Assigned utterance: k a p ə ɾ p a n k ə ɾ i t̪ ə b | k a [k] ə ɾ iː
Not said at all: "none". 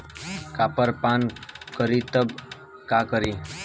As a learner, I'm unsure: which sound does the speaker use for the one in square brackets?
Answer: k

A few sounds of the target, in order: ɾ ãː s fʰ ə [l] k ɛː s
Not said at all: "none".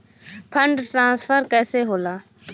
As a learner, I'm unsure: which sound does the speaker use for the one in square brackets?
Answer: ɾ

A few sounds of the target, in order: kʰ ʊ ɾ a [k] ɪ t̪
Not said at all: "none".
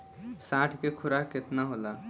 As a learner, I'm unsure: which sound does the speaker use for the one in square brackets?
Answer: k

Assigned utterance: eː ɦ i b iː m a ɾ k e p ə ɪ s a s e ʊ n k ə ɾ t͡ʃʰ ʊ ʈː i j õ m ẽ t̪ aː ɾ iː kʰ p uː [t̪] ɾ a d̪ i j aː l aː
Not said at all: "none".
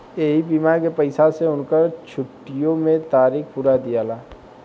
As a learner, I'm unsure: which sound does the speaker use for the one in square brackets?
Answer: none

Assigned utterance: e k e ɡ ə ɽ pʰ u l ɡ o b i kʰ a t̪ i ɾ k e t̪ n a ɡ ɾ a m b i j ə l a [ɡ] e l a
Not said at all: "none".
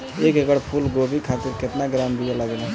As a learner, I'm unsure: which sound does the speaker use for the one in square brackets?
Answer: ɡ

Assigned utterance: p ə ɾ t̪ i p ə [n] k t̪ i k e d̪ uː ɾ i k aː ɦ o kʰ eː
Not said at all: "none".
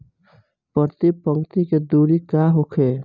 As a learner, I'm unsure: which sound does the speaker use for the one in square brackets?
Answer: ŋ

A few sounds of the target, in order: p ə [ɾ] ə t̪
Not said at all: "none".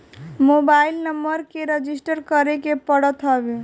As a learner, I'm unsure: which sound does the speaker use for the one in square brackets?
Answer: ɽ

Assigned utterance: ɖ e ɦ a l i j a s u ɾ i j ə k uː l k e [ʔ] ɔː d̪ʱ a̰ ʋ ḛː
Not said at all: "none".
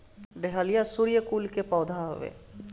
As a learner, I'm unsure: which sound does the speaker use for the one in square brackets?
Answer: p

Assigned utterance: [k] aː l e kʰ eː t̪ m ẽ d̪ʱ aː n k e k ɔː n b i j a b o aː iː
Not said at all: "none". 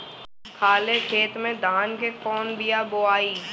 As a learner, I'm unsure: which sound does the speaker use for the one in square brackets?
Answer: kʰ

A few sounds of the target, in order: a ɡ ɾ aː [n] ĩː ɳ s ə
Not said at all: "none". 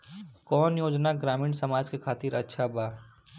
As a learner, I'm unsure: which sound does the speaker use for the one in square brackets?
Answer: m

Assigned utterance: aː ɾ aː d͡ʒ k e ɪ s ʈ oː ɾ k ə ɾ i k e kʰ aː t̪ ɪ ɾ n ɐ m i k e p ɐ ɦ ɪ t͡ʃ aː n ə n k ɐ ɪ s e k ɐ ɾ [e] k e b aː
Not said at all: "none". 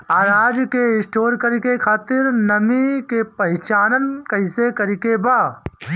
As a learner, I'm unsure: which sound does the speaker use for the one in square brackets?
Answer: i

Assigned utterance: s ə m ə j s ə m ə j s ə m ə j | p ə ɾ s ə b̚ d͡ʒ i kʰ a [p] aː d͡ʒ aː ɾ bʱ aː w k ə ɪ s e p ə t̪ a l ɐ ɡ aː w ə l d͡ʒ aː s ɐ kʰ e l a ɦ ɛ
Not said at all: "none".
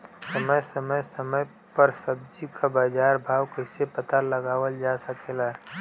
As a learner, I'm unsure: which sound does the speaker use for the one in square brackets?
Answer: b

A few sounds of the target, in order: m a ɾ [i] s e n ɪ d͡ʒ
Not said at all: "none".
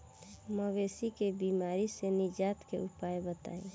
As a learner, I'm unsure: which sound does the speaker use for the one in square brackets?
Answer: i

